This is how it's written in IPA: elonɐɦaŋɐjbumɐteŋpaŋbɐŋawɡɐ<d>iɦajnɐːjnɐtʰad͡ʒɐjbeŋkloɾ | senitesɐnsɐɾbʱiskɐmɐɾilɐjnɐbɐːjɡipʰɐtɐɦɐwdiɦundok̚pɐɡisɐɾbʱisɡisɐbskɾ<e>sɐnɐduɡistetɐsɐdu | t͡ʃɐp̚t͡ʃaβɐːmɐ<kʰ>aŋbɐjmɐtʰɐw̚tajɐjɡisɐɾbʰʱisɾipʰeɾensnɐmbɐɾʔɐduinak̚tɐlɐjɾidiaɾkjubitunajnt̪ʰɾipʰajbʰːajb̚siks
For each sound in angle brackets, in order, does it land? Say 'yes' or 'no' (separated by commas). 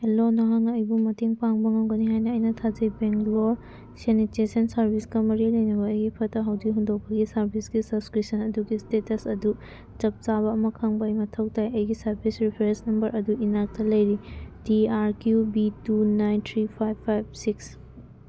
no, no, yes